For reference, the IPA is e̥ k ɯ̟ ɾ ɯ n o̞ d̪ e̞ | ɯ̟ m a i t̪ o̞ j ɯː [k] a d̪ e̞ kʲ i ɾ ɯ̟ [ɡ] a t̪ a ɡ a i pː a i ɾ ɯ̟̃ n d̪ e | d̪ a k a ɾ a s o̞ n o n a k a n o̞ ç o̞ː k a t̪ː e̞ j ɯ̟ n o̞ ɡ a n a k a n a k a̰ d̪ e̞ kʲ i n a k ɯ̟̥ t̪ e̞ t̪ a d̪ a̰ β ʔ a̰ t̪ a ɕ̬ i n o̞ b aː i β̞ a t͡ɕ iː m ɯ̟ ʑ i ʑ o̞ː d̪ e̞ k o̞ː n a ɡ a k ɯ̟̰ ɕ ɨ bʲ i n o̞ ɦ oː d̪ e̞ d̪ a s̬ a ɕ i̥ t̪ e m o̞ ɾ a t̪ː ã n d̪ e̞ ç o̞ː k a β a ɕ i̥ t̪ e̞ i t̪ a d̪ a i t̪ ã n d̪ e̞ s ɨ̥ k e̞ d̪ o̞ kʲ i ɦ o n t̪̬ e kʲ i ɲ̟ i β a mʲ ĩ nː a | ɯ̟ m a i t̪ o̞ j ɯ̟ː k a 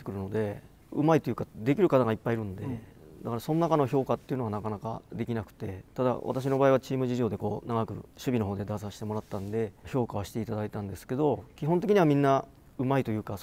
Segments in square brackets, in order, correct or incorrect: correct, incorrect: k

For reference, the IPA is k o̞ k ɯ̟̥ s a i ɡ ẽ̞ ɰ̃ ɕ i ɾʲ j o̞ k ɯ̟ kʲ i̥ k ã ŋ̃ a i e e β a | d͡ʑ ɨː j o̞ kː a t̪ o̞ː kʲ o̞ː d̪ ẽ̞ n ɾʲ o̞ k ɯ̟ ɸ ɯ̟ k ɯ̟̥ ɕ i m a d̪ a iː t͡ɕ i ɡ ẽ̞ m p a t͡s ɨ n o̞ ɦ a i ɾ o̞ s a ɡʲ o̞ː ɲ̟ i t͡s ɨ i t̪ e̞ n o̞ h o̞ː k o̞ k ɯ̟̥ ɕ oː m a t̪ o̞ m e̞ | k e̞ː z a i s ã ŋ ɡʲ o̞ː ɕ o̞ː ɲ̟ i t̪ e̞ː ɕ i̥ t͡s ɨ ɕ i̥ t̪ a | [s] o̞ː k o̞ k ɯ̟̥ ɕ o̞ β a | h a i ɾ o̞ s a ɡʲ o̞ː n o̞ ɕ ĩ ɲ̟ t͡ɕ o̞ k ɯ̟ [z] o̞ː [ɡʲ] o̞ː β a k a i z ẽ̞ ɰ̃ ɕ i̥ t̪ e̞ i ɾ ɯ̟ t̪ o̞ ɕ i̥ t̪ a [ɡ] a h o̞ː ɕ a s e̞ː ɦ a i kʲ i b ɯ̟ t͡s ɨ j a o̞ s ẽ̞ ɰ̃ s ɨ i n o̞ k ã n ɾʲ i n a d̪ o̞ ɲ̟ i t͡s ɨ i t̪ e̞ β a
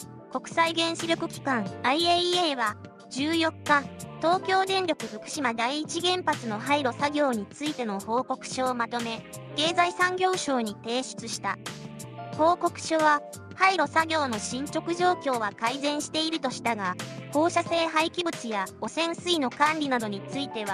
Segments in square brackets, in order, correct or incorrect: incorrect: h, incorrect: ʑ, incorrect: kʲ, correct

